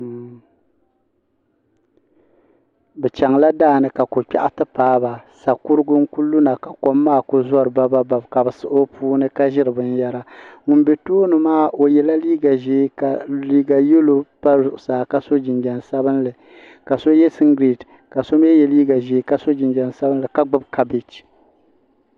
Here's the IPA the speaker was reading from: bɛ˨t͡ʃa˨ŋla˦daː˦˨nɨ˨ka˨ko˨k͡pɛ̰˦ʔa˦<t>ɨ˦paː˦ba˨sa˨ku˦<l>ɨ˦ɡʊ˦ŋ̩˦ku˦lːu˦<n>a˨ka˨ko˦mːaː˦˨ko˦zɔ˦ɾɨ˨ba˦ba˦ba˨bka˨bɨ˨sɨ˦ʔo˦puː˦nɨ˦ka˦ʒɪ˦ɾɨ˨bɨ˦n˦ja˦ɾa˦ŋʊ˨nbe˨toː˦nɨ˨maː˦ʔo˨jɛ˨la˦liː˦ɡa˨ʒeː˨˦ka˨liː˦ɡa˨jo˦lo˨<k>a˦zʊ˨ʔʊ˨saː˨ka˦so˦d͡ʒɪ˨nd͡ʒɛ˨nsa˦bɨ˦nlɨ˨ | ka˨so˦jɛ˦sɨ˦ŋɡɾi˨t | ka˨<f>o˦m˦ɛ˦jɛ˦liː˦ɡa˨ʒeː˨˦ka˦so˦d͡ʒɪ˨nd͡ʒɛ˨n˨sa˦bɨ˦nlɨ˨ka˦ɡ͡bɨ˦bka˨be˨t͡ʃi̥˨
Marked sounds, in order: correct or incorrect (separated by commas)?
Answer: correct, incorrect, correct, incorrect, incorrect